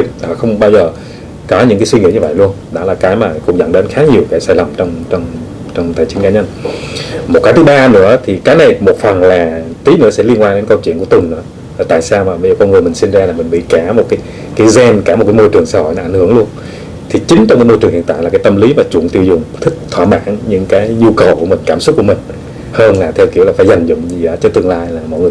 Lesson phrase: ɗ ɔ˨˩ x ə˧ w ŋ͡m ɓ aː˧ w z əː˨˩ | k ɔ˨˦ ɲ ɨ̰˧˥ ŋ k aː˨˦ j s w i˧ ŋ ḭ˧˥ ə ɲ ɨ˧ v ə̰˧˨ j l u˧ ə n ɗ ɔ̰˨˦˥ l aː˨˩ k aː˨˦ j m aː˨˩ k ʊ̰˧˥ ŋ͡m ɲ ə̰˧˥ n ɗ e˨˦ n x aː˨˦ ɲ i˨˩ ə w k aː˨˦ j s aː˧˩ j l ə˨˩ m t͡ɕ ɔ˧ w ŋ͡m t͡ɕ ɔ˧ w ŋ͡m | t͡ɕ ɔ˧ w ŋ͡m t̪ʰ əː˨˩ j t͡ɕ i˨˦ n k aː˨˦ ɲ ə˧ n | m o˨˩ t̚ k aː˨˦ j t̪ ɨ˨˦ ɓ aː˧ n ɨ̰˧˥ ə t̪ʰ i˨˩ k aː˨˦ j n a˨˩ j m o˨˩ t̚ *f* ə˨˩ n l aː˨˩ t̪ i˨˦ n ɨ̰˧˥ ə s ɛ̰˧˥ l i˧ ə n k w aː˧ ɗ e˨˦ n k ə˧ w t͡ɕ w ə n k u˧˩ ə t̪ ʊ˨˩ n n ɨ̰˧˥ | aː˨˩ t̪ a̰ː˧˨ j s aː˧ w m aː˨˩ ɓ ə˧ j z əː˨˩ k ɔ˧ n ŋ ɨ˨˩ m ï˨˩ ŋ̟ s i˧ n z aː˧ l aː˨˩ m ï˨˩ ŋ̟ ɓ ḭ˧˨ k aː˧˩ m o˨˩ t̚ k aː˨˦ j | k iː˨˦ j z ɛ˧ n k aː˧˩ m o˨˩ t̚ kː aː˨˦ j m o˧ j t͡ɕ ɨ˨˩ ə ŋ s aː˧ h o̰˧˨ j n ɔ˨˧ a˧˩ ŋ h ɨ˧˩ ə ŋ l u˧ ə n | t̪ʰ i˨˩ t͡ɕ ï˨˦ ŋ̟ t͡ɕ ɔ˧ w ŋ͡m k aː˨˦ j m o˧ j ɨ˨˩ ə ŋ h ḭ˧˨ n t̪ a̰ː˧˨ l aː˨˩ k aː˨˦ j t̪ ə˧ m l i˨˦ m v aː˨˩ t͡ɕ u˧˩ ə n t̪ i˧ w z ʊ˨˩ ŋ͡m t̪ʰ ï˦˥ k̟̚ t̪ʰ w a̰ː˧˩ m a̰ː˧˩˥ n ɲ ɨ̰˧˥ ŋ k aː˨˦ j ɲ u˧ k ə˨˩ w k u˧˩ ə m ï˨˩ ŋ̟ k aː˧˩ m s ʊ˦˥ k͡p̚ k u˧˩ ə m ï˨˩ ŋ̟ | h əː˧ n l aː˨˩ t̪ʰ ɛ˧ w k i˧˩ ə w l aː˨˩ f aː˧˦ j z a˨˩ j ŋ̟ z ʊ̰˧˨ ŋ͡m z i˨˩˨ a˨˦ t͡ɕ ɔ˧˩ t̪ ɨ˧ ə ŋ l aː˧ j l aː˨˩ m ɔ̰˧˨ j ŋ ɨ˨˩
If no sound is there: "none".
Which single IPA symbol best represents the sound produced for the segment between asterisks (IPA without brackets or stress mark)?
f